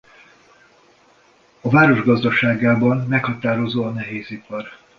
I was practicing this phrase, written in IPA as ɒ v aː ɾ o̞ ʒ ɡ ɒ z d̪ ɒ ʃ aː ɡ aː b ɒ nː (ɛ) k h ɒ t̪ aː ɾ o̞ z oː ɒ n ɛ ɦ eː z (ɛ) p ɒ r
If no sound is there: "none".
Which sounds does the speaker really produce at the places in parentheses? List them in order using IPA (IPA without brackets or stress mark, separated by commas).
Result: ɛ, i